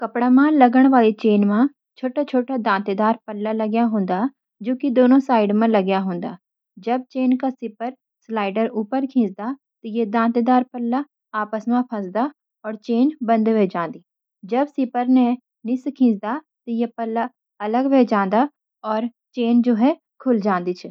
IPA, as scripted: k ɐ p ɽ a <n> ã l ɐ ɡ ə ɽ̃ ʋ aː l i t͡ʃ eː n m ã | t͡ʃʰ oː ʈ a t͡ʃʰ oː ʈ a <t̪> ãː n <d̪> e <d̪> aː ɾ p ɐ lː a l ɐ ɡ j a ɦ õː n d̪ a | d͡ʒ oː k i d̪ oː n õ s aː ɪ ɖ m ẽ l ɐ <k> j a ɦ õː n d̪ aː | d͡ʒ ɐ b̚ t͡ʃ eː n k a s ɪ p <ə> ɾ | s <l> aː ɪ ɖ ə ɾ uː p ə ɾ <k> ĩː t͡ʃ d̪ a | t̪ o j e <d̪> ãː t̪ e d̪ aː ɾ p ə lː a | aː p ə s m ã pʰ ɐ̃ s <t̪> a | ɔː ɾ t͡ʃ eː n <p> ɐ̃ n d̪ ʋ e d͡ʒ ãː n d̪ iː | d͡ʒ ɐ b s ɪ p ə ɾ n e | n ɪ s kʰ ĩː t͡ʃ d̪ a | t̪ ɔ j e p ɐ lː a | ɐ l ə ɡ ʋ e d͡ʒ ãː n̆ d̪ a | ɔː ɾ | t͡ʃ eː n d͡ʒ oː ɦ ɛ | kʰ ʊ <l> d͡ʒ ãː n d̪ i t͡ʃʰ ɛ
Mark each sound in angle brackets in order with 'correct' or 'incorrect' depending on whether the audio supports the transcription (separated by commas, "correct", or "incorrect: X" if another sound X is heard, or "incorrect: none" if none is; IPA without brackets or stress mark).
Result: incorrect: m, incorrect: d̪, incorrect: t̪, correct, incorrect: ɡ, correct, correct, incorrect: kʰ, correct, incorrect: d̪, incorrect: b, correct